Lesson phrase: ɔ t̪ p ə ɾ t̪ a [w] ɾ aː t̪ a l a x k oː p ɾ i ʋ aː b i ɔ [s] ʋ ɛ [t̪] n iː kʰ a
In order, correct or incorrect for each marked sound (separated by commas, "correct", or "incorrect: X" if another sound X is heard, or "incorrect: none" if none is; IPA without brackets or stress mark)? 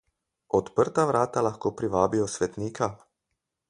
incorrect: ʋ, correct, correct